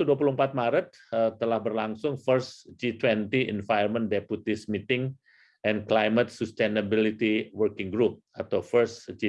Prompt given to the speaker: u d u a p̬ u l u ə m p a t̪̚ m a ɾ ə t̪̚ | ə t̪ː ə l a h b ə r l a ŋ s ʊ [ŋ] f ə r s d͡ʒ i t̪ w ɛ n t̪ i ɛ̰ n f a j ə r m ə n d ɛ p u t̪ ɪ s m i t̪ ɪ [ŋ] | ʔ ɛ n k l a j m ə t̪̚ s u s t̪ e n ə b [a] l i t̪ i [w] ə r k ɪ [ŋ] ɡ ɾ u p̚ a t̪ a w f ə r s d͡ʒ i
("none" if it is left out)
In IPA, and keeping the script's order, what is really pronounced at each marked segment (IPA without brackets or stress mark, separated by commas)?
ŋ, ŋ, i, w, ŋ